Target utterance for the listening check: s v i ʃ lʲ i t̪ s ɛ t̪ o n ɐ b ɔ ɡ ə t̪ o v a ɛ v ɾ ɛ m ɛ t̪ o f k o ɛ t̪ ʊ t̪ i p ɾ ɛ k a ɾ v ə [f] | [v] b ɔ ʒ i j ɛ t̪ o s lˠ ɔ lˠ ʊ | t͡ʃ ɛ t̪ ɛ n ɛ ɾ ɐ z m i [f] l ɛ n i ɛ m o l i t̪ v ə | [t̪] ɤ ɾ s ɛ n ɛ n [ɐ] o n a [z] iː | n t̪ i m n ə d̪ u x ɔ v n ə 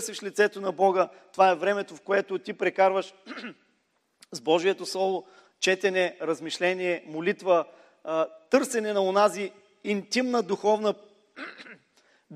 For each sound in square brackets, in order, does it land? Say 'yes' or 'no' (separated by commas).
no, no, no, yes, yes, yes